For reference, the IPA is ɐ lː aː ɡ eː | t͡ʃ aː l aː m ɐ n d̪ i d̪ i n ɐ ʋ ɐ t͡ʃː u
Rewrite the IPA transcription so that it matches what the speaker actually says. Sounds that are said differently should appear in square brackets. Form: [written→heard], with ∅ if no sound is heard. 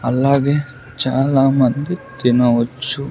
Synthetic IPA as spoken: ɐ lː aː ɡ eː | t͡ʃ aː l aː m ɐ n d̪ i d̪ i n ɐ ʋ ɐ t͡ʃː u